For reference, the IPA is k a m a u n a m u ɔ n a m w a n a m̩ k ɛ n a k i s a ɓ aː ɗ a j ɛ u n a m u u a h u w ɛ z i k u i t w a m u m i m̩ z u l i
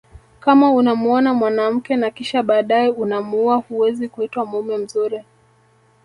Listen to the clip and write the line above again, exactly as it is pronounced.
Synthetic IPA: k a m a u n a m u ɔ n a m w a n a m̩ k ɛ n a k i ʃ a ɓ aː ɗ a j ɛ u n a m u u a h u w ɛ z i k u i t w a m u m ɛ m̩ z u ɾ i